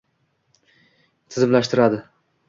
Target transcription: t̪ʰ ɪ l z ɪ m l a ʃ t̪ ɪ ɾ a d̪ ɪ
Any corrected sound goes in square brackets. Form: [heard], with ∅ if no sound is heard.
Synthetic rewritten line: t̪ʰ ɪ [∅] z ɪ m l a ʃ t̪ ɪ ɾ a d̪ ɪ